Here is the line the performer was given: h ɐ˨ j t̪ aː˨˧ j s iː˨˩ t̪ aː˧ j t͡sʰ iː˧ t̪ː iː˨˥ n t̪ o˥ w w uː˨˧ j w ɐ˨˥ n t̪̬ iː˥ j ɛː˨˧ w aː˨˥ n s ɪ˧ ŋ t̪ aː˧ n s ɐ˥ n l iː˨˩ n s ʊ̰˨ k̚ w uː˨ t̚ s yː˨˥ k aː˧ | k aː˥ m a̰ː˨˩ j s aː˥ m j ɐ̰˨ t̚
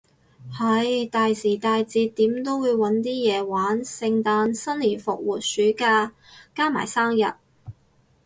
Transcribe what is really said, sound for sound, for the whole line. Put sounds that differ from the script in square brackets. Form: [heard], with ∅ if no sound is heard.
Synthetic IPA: h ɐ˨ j t̪ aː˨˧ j s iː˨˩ t̪ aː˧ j [t͡s] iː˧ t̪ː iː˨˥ [m] t̪ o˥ w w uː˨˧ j w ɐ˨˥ n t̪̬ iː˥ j ɛː˨˧ w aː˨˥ n s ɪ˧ ŋ t̪ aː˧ n s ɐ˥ n l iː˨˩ n [f] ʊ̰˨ k̚ w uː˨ t̚ s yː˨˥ k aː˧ | k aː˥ m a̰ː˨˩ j s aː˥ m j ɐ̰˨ t̚